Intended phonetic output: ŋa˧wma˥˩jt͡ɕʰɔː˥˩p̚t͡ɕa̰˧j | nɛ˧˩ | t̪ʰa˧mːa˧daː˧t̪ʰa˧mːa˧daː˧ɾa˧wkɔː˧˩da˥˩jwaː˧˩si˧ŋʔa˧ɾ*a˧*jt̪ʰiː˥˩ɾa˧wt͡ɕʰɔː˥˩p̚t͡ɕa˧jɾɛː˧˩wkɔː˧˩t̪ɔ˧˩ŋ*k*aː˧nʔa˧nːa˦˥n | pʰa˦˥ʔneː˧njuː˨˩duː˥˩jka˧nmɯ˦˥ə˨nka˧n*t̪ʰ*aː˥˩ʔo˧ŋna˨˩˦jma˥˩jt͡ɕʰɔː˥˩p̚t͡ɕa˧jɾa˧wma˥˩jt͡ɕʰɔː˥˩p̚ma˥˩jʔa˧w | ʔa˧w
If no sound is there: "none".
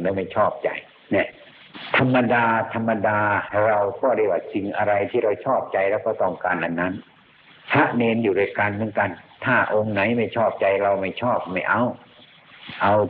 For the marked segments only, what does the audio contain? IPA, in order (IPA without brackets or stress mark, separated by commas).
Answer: a˧, k, t̪ʰ